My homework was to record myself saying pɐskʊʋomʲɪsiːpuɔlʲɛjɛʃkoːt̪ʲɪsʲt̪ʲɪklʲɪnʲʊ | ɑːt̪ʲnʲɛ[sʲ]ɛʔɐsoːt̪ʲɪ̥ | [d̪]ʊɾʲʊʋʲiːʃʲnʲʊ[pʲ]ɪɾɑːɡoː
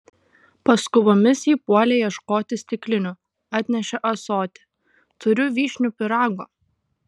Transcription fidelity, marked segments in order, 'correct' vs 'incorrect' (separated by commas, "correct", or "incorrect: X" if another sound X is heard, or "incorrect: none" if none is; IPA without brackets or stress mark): incorrect: ʃʲ, incorrect: t̪, correct